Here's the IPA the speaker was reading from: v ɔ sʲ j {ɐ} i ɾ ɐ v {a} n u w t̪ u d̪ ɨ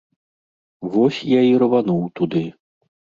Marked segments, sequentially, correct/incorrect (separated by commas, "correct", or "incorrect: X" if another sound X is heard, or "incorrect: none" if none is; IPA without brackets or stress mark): incorrect: a, correct